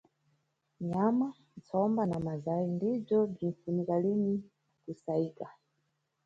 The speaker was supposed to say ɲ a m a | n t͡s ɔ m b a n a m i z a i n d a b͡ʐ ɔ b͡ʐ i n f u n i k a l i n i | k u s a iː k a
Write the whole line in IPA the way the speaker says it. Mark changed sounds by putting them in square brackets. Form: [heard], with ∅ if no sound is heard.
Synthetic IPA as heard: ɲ a m a | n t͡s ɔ m b a n a m [a] z a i n d [i] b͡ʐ ɔ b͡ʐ i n f u n i k a l i n i | k u s a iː k a